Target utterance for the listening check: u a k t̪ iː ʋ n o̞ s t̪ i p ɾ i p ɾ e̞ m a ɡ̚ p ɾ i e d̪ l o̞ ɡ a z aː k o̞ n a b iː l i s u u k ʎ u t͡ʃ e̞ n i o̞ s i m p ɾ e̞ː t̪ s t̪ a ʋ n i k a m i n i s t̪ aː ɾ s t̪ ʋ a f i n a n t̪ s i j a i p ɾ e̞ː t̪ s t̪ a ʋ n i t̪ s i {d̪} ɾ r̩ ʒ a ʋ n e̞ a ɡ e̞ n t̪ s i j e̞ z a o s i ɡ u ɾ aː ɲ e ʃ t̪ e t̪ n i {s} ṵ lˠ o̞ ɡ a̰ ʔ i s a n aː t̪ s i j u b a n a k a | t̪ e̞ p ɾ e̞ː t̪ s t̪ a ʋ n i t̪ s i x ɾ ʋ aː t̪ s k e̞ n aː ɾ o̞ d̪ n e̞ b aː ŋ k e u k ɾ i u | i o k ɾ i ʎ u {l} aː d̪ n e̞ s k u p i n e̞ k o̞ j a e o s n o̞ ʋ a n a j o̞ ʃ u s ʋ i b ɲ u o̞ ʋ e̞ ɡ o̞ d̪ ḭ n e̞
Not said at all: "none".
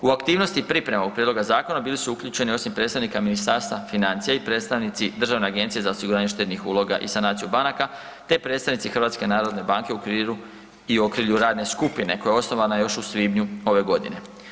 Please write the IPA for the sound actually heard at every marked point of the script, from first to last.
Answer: d̪, x, ɾ

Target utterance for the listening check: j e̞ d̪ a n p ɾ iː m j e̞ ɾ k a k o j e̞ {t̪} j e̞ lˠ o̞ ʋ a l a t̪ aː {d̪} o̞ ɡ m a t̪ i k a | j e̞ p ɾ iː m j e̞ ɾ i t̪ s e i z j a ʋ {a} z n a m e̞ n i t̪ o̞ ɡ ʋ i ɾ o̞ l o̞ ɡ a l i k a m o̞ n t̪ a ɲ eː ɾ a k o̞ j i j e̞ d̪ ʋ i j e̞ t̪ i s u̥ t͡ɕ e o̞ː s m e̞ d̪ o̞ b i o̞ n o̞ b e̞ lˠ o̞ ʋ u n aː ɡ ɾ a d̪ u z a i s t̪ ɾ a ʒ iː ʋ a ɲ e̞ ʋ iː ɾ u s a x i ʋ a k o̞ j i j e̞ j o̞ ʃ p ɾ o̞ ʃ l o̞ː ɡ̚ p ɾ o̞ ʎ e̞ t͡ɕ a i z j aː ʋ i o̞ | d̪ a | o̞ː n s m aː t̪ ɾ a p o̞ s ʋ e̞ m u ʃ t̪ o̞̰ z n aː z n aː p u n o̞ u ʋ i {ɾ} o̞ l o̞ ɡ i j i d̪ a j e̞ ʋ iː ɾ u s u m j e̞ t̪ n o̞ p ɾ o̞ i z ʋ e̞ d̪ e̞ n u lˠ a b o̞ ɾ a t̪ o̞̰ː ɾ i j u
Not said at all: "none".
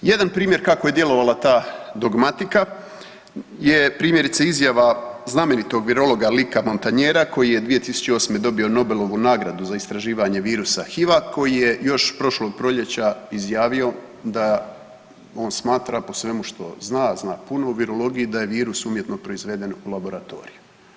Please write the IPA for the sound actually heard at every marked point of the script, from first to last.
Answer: d̪, d̪, a, ɾ

